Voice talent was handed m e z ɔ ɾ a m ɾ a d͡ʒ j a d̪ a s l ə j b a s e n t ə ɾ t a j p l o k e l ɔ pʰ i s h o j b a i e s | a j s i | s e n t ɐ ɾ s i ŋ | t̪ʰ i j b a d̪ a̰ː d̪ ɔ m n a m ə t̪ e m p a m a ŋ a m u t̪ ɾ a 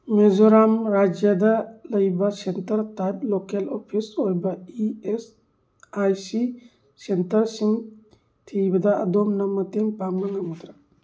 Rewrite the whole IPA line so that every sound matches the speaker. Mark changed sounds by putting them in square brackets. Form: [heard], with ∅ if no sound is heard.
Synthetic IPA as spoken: m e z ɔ ɾ a m ɾ a d͡ʒ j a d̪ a [∅] l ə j b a s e n t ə ɾ t a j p l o k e l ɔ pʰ i s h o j b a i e s | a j s i | s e n t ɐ ɾ s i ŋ | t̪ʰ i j b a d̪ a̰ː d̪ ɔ m n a m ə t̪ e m p a m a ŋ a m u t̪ ɾ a